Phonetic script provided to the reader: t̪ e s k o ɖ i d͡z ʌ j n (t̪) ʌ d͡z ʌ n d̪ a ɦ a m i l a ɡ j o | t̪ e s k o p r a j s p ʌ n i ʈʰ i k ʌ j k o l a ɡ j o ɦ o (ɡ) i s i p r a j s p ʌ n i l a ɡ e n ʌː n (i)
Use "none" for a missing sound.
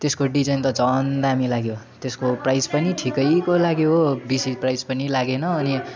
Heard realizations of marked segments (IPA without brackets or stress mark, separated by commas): t̪, b, i